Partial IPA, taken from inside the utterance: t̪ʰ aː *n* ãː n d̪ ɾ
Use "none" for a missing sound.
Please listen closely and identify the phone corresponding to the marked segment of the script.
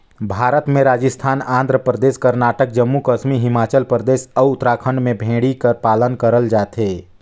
n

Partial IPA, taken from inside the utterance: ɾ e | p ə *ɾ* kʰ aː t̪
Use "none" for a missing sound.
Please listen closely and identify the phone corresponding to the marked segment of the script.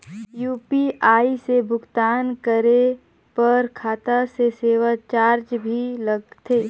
ɾ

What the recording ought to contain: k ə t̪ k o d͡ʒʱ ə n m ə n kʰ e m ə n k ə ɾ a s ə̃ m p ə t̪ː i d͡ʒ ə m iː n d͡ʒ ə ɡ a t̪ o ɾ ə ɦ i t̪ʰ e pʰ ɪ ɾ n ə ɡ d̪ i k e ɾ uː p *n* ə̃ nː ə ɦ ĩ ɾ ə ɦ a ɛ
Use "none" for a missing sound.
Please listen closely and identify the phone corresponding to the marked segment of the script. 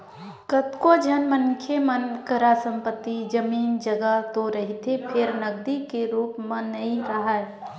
m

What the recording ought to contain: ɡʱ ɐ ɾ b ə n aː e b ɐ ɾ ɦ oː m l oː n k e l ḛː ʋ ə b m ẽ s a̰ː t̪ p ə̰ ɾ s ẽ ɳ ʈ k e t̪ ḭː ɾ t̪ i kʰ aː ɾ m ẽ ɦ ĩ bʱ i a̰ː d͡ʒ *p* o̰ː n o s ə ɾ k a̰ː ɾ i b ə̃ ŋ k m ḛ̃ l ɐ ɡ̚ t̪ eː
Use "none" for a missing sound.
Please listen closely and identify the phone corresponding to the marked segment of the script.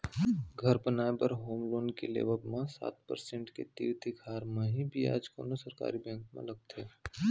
k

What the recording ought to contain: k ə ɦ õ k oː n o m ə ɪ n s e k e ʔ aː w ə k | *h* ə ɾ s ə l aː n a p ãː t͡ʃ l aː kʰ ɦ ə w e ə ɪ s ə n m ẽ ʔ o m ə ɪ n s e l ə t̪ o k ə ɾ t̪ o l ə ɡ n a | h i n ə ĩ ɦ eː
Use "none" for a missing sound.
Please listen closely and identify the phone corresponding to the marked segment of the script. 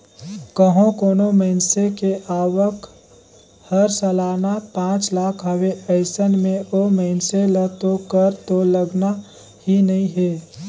h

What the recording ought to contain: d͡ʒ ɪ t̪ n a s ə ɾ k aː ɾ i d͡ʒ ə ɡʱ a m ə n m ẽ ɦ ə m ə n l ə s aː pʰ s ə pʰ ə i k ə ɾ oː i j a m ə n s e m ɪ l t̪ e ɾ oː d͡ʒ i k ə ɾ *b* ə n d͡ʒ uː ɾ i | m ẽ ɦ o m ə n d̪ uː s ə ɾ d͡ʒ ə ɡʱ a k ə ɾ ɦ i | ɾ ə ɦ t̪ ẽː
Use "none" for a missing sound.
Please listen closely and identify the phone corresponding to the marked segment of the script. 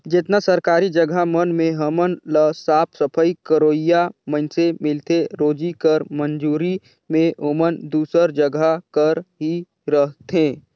m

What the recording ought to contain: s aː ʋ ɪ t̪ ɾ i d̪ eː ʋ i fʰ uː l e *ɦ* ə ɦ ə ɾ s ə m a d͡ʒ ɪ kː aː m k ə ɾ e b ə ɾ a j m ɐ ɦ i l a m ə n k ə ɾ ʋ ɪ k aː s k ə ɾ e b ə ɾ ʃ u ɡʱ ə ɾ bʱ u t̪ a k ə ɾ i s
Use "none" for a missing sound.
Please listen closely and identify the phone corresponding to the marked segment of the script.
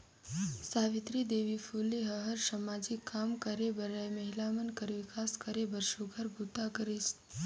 ɦ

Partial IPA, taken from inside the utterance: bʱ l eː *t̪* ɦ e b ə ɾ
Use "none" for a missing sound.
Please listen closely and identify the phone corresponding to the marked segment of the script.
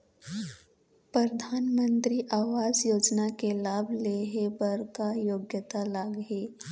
none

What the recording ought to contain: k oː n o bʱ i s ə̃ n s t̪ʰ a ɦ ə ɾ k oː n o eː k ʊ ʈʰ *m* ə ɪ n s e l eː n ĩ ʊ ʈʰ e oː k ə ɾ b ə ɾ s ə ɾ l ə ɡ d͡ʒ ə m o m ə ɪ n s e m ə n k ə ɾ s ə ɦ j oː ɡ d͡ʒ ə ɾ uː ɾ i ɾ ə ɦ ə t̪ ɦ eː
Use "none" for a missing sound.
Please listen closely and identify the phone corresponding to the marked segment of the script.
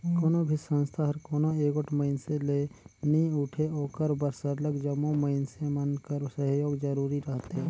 m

